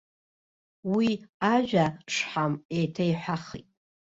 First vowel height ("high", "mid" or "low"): high